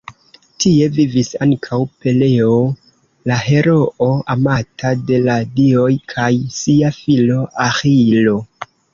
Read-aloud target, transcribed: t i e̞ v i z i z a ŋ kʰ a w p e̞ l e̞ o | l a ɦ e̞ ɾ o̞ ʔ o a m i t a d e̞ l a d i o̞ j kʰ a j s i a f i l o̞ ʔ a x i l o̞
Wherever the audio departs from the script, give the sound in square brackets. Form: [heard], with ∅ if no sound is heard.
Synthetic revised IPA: t i e̞ v i [v] i [s] a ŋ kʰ a w p e̞ l e̞ o | l a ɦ e̞ ɾ o̞ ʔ o a m [a] t a d e̞ l a d i o̞ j kʰ a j s i a f i l o̞ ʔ a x i l o̞